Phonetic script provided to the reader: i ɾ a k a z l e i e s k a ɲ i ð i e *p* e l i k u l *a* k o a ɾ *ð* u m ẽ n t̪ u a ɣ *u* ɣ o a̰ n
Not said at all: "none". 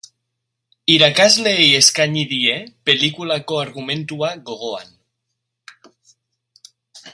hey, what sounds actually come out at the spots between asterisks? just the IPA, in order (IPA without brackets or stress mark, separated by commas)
p, a, ɣ, o